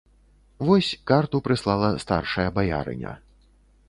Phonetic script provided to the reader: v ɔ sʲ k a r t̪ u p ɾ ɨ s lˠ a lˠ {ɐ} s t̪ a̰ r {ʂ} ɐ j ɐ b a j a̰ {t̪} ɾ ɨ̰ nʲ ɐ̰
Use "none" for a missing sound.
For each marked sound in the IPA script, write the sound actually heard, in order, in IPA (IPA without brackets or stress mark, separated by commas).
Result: ɐ, ʂ, none